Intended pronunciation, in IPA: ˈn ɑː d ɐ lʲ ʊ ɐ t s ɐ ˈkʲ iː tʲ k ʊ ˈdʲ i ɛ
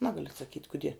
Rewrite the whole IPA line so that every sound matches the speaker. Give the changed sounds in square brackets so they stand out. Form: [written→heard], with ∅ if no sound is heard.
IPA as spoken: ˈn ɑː [d→ɡ] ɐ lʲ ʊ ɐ t s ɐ ˈkʲ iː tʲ k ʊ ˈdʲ i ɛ